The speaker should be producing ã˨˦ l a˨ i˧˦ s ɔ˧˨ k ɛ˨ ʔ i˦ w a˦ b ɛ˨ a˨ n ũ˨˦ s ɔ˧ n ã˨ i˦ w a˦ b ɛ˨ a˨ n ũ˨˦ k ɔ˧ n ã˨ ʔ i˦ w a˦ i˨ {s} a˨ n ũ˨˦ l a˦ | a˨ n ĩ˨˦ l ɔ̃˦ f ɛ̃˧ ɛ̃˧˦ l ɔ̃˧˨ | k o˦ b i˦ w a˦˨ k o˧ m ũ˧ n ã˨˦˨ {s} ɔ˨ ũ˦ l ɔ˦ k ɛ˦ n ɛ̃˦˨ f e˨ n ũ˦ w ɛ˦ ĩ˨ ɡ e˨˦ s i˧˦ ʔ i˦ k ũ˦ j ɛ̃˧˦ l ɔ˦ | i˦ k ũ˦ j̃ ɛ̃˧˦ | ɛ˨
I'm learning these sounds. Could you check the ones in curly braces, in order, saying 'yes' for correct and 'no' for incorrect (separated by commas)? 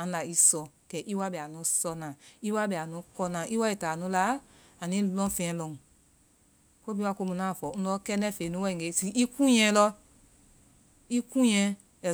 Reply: no, no